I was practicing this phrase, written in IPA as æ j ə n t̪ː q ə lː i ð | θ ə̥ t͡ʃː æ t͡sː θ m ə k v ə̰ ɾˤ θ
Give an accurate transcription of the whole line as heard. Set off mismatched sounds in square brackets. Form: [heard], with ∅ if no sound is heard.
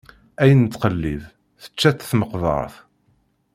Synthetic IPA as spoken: æ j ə n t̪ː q ə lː i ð | θ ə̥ t͡ʃː æ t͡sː θ m ə [q] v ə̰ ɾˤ θ